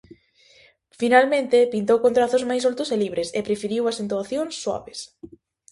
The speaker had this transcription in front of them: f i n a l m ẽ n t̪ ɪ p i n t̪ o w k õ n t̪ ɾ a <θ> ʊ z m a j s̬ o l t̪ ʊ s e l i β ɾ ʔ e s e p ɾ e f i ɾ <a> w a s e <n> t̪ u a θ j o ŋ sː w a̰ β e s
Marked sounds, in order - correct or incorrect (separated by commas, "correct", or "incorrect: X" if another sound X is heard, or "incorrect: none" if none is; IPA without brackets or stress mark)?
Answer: correct, incorrect: i, correct